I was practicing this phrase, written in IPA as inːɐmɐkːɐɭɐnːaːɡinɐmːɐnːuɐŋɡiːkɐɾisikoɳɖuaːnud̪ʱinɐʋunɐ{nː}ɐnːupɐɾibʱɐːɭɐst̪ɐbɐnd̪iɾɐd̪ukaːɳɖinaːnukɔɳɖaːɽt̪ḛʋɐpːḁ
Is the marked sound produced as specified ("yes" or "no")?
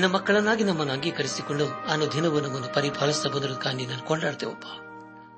no